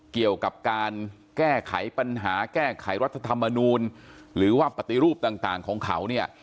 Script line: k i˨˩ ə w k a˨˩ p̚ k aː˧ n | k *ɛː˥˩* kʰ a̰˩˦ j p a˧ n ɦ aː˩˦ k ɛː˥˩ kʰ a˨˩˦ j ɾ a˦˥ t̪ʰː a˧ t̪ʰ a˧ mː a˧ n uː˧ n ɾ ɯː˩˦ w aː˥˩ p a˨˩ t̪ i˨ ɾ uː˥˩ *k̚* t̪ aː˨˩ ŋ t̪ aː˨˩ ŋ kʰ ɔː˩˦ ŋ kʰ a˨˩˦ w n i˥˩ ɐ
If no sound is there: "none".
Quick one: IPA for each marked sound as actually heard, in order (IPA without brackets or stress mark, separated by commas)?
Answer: ɛː˥˩, p̚